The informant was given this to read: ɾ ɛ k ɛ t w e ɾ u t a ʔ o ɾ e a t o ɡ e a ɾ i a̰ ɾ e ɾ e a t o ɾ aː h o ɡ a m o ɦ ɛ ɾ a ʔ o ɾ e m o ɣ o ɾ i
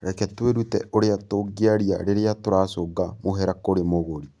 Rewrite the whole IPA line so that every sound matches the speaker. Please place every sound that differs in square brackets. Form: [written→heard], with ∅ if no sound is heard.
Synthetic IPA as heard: ɾ ɛ k ɛ t w e ɾ u t [a→ɛ] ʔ o ɾ e a t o ɡ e a ɾ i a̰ ɾ e ɾ e a t o ɾ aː [h→s] o ɡ a m o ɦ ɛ ɾ a [ʔ→k] o ɾ e m o ɣ o ɾ i